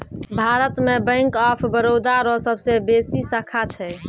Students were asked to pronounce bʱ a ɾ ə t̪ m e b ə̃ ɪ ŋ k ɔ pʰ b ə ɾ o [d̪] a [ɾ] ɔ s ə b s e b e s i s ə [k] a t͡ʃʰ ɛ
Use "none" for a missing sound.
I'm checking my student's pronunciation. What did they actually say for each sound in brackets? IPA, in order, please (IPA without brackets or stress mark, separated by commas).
d̪, ɾ, kʰ